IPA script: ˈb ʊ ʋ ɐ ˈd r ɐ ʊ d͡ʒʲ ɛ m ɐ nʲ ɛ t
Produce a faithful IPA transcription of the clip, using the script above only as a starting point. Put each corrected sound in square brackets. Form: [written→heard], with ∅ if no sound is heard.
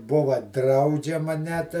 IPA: ˈb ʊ ʋ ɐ ˈd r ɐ ʊ d͡ʒʲ ɛ m ɐ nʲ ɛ t

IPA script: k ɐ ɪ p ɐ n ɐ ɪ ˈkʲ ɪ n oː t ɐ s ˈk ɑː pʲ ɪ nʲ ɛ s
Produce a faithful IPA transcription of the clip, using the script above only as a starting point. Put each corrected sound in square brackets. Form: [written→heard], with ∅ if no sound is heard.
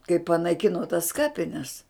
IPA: k ɐ ɪ p ɐ n ɐ ɪ ˈkʲ ɪ n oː t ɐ s ˈk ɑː pʲ ɪ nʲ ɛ s

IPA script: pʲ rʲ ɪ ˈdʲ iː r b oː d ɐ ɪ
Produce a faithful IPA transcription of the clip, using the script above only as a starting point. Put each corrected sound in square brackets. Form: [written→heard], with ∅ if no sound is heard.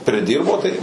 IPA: pʲ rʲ ɪ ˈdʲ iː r b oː [d→t] ɐ ɪ

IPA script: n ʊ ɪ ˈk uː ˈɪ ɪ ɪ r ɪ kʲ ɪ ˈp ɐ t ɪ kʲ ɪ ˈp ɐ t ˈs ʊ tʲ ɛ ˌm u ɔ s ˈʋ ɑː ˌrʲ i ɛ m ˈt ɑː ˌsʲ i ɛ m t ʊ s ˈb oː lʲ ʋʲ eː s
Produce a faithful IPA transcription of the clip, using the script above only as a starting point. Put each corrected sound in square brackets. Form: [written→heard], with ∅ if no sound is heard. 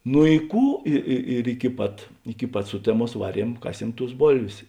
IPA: n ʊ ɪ ˈk uː ˈɪ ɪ ɪ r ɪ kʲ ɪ ˈp ɐ t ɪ kʲ ɪ ˈp ɐ t ˈs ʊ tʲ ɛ ˌm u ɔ s ˈʋ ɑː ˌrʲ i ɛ m [ˈt→ˈk] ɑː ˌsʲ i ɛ m t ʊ s ˈb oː lʲ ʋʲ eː s

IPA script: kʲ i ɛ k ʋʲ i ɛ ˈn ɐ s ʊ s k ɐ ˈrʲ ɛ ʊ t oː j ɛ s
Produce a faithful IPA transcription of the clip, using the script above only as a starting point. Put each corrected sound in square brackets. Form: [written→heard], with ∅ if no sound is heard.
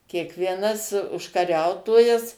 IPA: kʲ i ɛ k ʋʲ i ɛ ˈn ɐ s ʊ [s→ʃ] k ɐ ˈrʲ ɛ ʊ t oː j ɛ s

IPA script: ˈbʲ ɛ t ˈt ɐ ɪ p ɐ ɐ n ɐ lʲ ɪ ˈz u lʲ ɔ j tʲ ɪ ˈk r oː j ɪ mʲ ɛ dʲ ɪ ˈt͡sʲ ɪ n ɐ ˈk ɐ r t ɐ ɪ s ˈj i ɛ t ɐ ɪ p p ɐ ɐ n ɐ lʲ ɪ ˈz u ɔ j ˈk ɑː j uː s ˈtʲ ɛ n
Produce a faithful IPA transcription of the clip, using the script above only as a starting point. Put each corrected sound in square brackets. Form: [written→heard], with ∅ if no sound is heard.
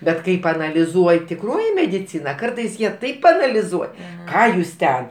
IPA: ˈbʲ ɛ t [ˈt→ˈk] ɐ ɪ p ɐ ɐ n ɐ lʲ ɪ ˈz u [lʲ→∅] ɔ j tʲ ɪ ˈk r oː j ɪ mʲ ɛ dʲ ɪ ˈt͡sʲ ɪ n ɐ ˈk ɐ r t ɐ ɪ s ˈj i ɛ t ɐ ɪ p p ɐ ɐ n ɐ lʲ ɪ ˈz u ɔ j ˈk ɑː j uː s ˈtʲ ɛ n

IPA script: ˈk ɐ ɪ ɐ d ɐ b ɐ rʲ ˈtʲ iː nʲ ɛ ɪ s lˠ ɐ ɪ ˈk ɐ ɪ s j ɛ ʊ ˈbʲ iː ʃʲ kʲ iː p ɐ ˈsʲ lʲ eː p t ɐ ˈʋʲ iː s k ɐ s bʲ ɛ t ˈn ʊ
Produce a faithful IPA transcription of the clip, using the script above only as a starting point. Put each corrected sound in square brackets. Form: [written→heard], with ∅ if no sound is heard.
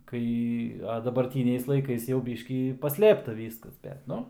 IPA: ˈk ɐ ɪ ɐ d ɐ b ɐ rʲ ˈtʲ iː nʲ ɛ ɪ s lˠ ɐ ɪ ˈk ɐ ɪ s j ɛ ʊ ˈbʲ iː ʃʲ kʲ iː p ɐ ˈsʲ lʲ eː p t ɐ ˈʋʲ iː s k ɐ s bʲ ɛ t ˈn ʊ

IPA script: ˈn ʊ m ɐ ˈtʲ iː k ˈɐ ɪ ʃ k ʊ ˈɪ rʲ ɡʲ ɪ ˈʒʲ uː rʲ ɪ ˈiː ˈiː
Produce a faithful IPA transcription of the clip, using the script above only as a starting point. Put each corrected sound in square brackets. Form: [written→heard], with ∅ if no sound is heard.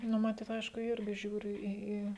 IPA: ˈn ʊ m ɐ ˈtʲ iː [k→t] ˈɐ ɪ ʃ k ʊ ˈɪ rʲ ɡʲ ɪ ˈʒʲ uː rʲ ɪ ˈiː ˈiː

